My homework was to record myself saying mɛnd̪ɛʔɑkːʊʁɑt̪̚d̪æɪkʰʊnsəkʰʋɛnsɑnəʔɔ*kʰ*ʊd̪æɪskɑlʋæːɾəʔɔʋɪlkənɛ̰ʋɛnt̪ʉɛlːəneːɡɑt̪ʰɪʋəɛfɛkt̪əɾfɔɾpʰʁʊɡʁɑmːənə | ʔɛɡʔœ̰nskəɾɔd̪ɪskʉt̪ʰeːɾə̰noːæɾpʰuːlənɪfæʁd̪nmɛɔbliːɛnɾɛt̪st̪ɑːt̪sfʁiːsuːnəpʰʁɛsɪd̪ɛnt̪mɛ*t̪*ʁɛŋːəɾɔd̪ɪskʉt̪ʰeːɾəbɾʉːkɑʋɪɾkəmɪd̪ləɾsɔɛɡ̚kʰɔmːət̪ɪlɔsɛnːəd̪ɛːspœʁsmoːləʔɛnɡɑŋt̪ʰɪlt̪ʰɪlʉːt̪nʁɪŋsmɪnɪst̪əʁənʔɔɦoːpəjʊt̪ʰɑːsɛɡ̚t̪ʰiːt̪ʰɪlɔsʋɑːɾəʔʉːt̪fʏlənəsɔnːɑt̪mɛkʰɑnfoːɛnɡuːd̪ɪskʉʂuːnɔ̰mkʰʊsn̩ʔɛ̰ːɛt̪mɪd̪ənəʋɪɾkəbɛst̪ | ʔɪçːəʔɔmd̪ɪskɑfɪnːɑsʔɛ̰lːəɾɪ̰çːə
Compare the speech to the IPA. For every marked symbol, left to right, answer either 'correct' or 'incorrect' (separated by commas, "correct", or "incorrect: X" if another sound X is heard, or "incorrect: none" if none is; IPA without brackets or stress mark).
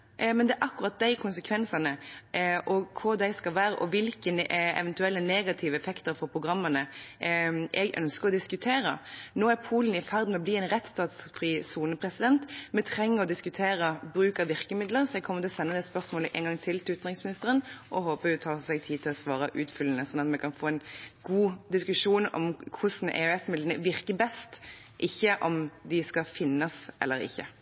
correct, incorrect: t̪ʰ